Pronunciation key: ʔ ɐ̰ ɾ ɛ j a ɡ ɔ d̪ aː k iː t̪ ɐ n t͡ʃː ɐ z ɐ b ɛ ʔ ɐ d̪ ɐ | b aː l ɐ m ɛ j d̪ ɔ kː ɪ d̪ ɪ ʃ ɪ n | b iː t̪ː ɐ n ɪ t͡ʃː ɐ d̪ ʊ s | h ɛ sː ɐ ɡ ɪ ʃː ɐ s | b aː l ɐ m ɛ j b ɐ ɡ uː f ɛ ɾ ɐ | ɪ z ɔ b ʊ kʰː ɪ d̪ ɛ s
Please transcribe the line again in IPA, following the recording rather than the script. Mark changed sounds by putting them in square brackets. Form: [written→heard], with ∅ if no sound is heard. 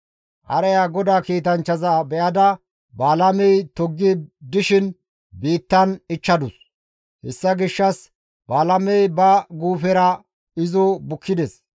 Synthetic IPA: ʔ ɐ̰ ɾ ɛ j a ɡ ɔ d̪ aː k iː t̪ ɐ n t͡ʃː ɐ z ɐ b ɛ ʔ ɐ d̪ ɐ | b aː l ɐ m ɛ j [d̪→t̪] ɔ [kː→ɡː] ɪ d̪ ɪ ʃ ɪ n | b iː t̪ː ɐ n ɪ t͡ʃː ɐ d̪ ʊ s | h ɛ sː ɐ ɡ ɪ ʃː ɐ s | b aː l ɐ m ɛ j b ɐ ɡ uː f ɛ ɾ ɐ | ɪ z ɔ b ʊ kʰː ɪ d̪ ɛ s